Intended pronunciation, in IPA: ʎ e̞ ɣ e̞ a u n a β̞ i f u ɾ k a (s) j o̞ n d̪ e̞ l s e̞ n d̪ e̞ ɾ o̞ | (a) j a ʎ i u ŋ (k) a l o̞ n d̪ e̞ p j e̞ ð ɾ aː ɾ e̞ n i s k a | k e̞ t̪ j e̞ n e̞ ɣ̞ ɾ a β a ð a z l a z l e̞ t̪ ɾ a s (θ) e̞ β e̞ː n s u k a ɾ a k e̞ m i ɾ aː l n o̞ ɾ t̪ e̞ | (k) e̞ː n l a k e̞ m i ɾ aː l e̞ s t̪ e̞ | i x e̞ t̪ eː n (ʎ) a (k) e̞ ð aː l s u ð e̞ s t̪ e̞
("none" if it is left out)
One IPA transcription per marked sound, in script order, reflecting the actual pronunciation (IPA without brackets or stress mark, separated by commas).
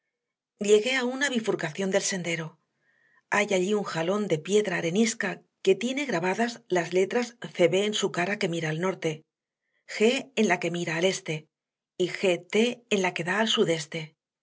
θ, a, x, θ, x, l, k